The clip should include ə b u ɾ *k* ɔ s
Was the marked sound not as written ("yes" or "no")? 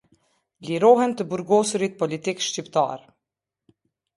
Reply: yes